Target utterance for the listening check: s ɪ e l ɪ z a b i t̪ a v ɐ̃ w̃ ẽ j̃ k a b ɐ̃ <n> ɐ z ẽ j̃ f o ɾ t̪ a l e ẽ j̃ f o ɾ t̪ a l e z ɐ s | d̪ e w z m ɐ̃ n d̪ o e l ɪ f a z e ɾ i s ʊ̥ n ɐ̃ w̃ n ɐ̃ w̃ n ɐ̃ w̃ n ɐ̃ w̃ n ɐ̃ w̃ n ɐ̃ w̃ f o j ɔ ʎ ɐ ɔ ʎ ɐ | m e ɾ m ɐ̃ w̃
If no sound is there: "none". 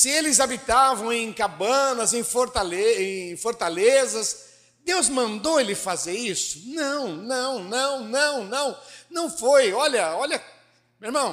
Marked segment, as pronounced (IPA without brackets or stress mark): n